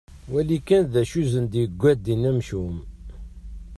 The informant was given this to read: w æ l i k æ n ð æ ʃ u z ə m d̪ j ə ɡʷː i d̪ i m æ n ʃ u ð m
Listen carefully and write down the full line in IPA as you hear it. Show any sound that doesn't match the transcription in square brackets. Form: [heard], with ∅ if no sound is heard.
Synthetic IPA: w æ l i k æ n ð æ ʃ u z ə [n] d̪ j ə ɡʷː [æ] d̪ i [n] æ [m] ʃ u [∅] m